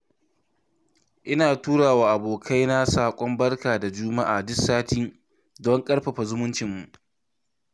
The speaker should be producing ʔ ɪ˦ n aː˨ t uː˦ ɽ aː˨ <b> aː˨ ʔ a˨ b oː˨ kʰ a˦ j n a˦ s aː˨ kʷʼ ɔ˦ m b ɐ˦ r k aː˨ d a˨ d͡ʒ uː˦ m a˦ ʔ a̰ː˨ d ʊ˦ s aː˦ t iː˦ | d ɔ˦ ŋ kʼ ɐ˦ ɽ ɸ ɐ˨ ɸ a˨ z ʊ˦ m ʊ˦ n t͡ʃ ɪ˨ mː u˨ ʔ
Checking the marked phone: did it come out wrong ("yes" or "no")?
yes